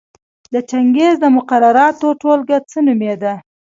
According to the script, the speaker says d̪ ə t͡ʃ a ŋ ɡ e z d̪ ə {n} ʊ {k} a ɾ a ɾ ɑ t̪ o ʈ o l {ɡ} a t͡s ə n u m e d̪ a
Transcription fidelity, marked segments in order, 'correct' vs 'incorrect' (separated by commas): incorrect, incorrect, correct